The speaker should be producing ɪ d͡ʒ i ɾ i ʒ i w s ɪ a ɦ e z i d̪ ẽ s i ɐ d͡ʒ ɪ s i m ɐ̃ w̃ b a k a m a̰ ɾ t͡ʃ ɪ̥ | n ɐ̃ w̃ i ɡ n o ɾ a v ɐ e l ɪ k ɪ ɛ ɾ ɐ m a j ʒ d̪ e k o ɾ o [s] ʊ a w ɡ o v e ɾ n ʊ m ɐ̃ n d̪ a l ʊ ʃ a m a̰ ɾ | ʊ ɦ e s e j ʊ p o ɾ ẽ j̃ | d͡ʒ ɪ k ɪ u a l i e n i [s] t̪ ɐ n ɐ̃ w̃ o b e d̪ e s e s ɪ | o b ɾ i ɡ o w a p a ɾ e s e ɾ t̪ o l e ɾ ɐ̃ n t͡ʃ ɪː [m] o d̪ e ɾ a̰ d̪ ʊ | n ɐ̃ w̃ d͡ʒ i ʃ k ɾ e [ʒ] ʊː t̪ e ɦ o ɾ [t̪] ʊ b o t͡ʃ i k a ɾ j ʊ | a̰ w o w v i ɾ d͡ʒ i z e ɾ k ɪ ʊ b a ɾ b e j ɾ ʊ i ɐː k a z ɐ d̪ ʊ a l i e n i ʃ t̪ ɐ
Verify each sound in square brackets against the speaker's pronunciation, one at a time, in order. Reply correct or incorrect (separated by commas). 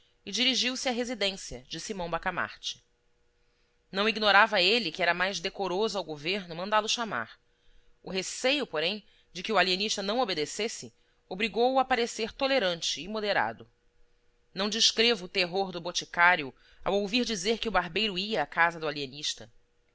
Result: incorrect, incorrect, correct, incorrect, incorrect